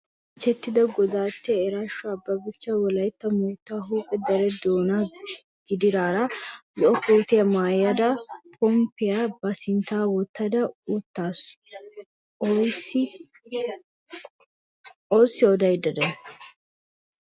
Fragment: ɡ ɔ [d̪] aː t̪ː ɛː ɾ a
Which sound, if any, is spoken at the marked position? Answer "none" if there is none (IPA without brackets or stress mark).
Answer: d̪